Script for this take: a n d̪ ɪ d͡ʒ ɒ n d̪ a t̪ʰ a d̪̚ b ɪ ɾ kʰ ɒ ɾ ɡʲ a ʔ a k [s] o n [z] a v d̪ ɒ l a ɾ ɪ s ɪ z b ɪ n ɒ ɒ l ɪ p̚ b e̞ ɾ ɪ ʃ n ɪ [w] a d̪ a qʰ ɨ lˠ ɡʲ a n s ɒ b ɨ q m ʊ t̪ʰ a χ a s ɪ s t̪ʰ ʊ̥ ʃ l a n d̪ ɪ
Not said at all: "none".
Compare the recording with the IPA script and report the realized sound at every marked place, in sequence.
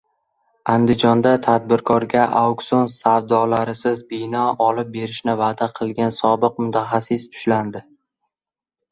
s, s, v

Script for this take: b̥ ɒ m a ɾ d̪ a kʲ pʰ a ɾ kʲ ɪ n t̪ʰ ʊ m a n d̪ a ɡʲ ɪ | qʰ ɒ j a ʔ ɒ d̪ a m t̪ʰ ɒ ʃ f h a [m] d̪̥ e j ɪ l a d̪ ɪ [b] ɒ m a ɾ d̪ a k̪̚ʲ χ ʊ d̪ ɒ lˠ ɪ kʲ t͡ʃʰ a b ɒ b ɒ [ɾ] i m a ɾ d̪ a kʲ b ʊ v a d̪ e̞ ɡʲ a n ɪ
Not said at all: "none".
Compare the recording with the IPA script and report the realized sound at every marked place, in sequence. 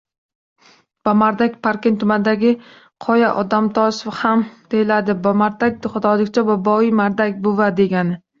m, b, none

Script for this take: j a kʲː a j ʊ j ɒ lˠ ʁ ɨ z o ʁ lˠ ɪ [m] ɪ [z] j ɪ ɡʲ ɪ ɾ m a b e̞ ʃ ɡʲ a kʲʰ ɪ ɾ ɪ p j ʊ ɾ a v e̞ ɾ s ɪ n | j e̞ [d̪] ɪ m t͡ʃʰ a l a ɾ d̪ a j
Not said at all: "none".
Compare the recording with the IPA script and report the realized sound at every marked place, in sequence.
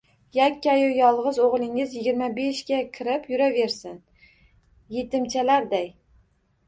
ŋ, z, t̪

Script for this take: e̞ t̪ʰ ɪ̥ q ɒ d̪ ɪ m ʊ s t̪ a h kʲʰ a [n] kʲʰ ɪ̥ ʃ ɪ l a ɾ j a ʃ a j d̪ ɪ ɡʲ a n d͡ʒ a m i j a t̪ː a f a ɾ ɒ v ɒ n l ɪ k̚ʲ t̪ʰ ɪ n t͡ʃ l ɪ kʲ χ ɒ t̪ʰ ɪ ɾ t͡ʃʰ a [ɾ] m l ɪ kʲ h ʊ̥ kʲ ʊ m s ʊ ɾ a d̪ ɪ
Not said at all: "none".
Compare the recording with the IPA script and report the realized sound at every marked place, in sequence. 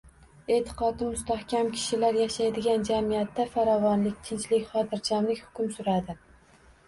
m, none

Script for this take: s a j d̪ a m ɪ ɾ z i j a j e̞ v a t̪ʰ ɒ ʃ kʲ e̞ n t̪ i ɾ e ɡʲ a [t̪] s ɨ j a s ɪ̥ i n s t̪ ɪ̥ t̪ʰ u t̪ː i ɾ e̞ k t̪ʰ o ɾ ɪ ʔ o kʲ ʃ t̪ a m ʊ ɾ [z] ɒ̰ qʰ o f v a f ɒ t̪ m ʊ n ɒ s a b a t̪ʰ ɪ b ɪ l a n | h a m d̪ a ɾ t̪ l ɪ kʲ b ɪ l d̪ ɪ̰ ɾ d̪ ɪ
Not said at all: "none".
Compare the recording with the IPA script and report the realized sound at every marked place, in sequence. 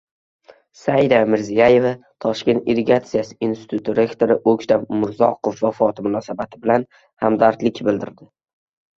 t̪, z

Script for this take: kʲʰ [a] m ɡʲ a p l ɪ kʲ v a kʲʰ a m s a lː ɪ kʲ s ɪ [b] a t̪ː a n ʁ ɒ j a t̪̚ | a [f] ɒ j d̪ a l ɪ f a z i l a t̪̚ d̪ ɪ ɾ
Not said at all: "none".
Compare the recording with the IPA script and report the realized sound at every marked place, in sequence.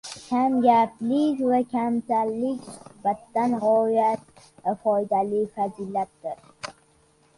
a, b, f

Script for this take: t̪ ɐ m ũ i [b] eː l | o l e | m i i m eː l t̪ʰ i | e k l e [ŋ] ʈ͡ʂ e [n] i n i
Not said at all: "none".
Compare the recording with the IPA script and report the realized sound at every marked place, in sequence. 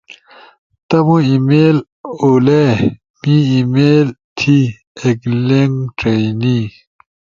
m, ŋ, none

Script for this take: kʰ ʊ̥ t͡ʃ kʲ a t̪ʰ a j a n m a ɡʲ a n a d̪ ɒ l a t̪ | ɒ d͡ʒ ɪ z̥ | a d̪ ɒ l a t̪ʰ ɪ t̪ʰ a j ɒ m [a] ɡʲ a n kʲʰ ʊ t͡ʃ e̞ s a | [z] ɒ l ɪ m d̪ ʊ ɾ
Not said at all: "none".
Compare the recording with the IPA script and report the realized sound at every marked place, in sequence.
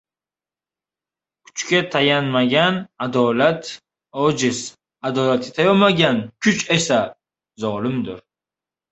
a, z

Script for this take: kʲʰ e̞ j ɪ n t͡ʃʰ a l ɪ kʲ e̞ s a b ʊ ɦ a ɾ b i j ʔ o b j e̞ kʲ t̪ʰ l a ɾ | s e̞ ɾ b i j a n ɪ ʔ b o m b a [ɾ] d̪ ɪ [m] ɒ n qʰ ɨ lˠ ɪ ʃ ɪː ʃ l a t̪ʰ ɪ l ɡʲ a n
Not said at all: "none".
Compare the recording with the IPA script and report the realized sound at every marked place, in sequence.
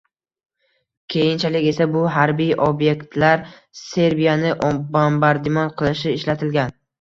ɾ, m

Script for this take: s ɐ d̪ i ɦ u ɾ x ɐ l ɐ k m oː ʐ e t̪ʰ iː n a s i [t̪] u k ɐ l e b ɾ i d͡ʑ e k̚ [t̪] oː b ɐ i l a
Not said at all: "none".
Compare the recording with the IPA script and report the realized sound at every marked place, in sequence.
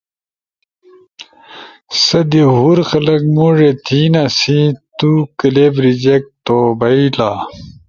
t̪, t̪

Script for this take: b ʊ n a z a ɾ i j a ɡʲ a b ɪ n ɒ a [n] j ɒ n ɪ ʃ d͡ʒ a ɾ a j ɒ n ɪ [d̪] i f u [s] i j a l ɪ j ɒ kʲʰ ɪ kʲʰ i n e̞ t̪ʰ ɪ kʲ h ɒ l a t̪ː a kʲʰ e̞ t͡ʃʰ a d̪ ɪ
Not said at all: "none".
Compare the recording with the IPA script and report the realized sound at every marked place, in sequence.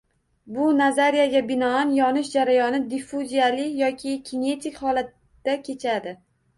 n, d̪, z

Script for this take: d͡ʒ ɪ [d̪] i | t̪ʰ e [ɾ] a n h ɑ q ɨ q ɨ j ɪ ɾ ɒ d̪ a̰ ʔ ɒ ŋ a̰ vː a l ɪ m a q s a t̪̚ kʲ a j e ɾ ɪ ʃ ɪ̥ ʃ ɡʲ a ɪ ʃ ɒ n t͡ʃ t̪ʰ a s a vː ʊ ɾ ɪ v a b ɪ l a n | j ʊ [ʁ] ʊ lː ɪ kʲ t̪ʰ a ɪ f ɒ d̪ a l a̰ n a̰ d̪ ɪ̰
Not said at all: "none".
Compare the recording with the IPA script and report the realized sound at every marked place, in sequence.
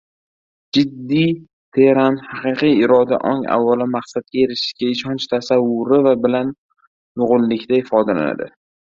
d̪ː, ɾ, ʁ

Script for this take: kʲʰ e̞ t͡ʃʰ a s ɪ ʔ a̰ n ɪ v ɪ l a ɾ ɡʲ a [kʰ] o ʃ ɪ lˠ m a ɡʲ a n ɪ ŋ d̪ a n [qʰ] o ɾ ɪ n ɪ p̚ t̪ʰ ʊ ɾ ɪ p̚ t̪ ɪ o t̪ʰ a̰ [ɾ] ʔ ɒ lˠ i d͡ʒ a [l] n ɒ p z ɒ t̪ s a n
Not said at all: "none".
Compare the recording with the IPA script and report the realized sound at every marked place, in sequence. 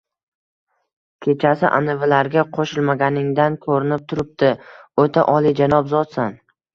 qʰ, kʰ, none, none

